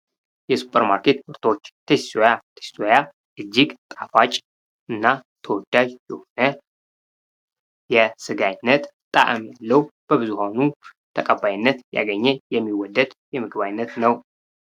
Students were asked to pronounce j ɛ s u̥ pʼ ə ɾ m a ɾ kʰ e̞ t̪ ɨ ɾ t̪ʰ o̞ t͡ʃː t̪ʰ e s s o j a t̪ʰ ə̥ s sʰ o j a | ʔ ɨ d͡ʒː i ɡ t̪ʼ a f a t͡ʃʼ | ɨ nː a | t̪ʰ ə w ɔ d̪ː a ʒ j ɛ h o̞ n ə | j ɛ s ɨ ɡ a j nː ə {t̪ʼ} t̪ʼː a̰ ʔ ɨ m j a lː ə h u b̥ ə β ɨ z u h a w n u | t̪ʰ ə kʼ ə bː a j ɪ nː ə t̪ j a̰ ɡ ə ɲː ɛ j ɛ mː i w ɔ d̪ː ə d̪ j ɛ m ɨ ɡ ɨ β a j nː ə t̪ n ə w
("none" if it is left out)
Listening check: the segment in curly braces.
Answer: t̪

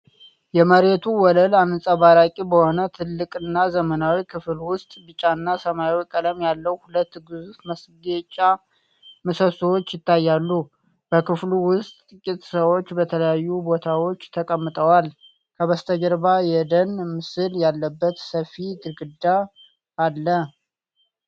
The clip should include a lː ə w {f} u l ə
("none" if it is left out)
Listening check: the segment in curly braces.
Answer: h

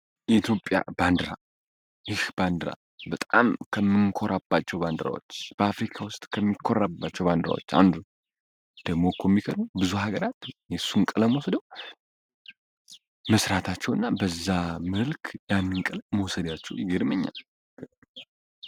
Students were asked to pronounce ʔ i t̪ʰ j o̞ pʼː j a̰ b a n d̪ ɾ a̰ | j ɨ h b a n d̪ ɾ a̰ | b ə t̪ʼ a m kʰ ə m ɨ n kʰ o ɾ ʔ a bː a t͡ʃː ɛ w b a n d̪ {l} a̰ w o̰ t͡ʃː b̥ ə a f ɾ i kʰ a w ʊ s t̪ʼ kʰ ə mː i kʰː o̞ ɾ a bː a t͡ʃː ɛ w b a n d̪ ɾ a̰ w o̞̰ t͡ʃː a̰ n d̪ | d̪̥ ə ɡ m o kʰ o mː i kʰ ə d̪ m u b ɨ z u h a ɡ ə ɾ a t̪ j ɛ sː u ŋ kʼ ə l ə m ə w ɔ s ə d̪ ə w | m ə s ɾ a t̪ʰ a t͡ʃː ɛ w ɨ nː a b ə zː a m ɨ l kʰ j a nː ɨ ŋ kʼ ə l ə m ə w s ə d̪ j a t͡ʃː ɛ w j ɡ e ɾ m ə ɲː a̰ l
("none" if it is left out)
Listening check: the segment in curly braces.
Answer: ɾ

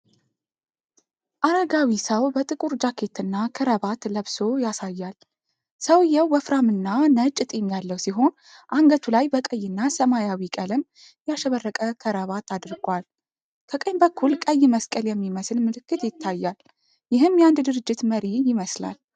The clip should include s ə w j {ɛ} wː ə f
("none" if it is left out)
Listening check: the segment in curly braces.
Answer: ɛ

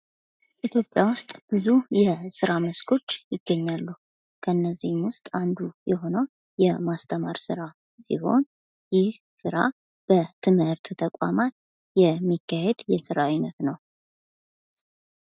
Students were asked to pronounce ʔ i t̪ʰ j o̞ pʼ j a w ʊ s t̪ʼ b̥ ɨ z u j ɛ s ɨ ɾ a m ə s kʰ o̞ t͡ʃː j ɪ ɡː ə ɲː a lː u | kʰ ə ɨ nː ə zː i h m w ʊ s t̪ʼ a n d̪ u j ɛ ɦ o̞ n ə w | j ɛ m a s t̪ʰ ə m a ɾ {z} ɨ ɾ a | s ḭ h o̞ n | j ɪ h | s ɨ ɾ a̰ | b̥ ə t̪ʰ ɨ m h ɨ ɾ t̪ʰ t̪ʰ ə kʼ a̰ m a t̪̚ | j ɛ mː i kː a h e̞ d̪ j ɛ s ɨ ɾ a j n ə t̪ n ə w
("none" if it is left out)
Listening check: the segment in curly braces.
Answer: s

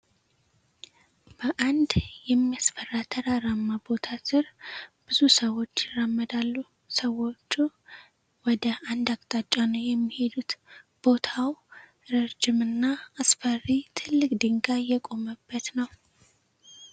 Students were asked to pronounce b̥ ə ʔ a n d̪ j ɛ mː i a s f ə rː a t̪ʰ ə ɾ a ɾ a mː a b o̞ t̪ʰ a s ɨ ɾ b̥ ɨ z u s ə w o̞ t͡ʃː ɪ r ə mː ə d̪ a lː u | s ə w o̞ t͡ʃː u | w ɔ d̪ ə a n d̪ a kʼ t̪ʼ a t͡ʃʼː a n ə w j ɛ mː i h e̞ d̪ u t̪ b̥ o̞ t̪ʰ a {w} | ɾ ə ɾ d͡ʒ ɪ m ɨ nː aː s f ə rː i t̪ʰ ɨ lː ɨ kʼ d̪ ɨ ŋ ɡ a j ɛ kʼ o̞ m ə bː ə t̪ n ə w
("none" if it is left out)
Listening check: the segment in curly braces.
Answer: w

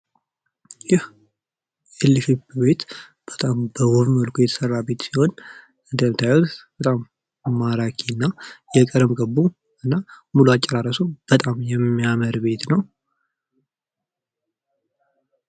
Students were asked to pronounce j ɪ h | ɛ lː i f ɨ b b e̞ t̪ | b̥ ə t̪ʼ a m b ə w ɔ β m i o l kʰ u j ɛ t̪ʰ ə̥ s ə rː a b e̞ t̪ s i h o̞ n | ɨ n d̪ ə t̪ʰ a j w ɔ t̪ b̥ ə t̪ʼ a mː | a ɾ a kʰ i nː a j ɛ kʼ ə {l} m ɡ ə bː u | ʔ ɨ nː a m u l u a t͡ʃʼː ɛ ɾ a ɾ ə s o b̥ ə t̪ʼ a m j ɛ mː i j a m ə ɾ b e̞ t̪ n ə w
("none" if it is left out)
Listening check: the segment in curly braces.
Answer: ɾ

